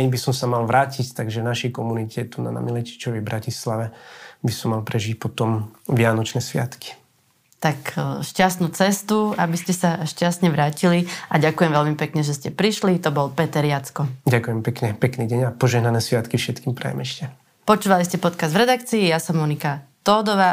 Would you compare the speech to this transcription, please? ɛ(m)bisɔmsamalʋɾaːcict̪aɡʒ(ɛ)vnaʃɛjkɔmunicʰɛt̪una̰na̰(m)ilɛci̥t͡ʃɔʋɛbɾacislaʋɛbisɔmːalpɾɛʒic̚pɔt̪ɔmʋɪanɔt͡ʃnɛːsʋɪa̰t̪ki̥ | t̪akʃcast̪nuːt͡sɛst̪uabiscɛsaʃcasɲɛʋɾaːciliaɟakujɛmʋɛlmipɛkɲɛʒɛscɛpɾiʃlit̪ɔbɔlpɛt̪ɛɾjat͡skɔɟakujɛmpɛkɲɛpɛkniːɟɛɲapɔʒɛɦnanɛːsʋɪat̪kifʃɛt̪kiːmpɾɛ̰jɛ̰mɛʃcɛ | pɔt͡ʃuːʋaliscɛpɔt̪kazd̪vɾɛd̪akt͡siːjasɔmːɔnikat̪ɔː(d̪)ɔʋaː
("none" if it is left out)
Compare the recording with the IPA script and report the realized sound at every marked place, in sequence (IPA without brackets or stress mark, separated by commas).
ɲ, ɛ, m, d̪